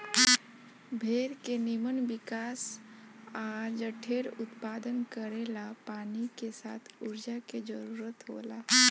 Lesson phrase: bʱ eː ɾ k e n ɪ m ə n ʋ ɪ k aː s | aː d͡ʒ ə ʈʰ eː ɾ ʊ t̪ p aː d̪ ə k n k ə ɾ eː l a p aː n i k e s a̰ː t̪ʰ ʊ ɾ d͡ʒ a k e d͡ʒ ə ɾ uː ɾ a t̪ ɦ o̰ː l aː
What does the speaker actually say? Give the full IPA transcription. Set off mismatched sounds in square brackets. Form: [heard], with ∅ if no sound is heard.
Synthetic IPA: bʱ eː ɾ k e n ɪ m ə n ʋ ɪ k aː s | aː d͡ʒ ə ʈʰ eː ɾ ʊ t̪ p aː d̪ ə [∅] n k ə ɾ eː l a p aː n i k e s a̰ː t̪ʰ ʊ ɾ d͡ʒ a k e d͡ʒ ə ɾ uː ɾ [ə] t̪ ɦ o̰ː l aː